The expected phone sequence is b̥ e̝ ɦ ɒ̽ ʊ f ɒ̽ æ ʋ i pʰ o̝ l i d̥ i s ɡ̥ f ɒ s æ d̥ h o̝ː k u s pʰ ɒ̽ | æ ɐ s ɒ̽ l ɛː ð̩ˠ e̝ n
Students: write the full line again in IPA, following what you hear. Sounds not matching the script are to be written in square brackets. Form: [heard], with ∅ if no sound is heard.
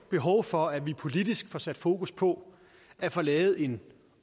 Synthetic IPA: b̥ e̝ ɦ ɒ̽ ʊ f ɒ̽ æ ʋ i pʰ o̝ l i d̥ i s ɡ̥ f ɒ s æ d̥ [f] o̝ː k u s pʰ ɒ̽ | æ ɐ [f] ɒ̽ l ɛː ð̩ˠ e̝ n

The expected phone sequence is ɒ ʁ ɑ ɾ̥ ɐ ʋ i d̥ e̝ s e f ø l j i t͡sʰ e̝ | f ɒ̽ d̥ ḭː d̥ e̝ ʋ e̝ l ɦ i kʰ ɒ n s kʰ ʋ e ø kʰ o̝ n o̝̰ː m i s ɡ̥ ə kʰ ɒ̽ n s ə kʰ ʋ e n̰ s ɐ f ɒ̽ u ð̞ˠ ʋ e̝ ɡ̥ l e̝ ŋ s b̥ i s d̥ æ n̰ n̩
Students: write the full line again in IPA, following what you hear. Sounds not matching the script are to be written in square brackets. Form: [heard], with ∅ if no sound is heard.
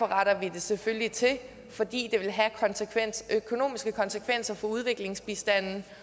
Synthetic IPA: ɒ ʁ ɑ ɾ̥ ɐ ʋ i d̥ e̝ s e f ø l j i t͡sʰ e̝ | f ɒ̽ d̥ ḭː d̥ e̝ ʋ e̝ l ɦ [æ] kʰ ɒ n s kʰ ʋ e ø kʰ o̝ n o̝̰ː m i s ɡ̥ ə kʰ ɒ̽ n s ə kʰ ʋ e n̰ s ɐ f ɒ̽ u ð̞ˠ ʋ e̝ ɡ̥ l e̝ ŋ s b̥ i s d̥ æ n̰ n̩

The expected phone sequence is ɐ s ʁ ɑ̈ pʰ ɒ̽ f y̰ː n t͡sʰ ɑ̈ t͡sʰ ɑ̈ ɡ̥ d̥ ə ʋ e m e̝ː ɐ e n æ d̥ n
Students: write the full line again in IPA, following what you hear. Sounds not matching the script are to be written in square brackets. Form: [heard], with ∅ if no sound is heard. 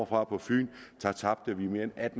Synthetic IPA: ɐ [f] ʁ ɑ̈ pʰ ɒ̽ f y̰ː n t͡sʰ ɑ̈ t͡sʰ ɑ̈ [b̥] d̥ ə ʋ [i] m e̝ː ɐ e n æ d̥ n

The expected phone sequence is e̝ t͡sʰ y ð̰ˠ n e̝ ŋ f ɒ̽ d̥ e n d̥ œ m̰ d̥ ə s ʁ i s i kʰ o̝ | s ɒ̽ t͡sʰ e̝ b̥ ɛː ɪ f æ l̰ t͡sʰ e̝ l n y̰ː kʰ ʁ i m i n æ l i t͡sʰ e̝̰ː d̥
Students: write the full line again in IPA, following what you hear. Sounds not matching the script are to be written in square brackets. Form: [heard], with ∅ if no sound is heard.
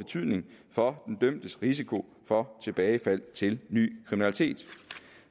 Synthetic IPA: e̝ t͡sʰ y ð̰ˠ n e̝ ŋ f ɒ̽ d̥ e n d̥ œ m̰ d̥ ə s ʁ i s i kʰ o̝ | [f] ɒ̽ t͡sʰ e̝ b̥ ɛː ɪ f æ l̰ t͡sʰ e̝ l n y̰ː kʰ ʁ i m i n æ l i t͡sʰ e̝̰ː d̥

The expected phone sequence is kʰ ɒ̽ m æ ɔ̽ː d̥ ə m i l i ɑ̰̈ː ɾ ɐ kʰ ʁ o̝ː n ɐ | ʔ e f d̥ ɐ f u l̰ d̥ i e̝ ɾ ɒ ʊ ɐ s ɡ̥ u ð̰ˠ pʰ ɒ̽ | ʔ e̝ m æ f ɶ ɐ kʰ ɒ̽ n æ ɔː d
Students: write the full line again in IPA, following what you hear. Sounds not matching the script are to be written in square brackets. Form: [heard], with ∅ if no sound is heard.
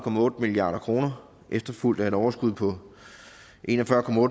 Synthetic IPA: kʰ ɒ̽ m æ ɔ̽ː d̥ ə m i l i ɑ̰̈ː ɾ ɐ kʰ ʁ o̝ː n ɐ | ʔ e f d̥ ɐ f u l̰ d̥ [æ] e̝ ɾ ɒ ʊ ɐ s ɡ̥ u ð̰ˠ pʰ ɒ̽ | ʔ e̝ [n] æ f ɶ ɐ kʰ ɒ̽ [m] æ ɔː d

